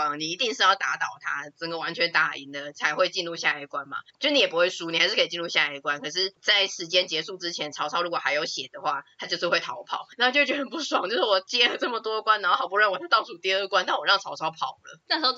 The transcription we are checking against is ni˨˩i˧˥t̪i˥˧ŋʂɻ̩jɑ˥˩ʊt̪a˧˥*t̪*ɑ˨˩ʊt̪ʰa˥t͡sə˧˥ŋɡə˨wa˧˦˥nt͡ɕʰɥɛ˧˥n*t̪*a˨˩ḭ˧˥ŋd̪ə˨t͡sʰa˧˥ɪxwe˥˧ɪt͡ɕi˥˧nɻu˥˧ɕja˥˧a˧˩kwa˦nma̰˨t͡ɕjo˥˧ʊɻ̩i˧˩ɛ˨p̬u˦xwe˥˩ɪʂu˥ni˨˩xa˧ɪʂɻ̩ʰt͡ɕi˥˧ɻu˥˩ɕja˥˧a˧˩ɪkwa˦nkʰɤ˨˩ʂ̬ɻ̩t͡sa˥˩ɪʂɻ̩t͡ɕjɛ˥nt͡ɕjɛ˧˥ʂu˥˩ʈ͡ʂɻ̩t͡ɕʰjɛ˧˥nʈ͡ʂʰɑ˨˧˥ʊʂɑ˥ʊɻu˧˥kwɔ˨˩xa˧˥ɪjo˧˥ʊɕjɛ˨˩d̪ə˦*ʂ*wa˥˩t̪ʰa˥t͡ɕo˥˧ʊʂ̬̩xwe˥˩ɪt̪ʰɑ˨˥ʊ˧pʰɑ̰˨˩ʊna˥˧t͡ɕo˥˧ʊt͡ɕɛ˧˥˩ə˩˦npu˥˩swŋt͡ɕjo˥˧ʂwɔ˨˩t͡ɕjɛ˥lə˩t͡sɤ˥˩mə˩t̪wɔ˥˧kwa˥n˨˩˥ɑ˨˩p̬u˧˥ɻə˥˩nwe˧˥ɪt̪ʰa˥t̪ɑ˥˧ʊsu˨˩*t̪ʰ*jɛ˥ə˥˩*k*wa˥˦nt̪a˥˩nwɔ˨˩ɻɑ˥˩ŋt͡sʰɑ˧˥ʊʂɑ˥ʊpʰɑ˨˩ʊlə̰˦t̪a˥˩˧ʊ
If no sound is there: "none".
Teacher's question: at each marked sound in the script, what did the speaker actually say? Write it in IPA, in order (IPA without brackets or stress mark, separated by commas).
t̪, t̪, x, t̪, k